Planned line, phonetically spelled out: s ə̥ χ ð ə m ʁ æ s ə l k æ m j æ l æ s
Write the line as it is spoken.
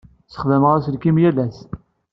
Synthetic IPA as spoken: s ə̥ χ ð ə m ʁ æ s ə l k i m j æ l æ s